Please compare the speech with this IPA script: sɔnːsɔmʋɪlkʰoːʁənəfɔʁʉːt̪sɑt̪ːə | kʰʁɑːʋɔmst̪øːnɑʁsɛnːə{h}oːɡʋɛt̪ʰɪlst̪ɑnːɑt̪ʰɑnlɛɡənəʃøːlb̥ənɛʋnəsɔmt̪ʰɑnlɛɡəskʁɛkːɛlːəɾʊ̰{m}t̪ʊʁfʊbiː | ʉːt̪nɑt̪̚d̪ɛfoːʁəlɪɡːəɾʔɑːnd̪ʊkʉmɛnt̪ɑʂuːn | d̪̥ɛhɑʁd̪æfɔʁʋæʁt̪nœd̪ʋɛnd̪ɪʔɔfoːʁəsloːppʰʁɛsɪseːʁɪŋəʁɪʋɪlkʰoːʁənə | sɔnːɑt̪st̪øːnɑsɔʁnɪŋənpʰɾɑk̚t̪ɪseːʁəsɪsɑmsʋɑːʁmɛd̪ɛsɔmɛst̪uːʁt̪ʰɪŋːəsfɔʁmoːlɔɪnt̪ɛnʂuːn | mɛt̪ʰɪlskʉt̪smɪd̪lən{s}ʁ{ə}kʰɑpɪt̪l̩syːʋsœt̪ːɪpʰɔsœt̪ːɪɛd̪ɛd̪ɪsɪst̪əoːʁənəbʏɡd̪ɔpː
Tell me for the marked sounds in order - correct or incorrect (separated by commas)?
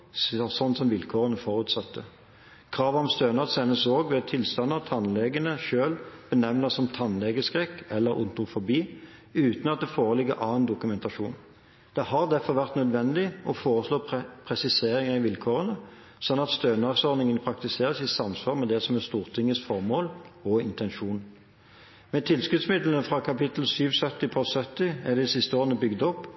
incorrect, incorrect, incorrect, incorrect